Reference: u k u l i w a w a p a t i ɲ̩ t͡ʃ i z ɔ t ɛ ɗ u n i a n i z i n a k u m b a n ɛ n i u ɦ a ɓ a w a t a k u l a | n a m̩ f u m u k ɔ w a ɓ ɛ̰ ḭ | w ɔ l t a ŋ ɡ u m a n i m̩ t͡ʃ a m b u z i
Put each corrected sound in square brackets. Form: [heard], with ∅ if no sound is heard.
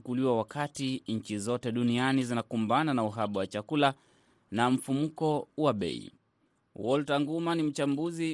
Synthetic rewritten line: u k u l i w a w a [k] a t i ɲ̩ t͡ʃ i z ɔ t ɛ ɗ u n i a n i z i n a k u m b a n [a] n [a] u ɦ a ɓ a w a [t͡ʃ] a k u l a | n a m̩ f u m u k ɔ w a ɓ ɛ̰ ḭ | w ɔ l t a ŋ ɡ u m a n i m̩ t͡ʃ a m b u z i